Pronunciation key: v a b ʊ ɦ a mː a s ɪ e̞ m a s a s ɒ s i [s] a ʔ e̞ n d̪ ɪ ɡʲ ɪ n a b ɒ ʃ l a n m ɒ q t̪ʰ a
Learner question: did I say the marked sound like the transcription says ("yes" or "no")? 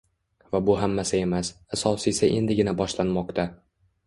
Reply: yes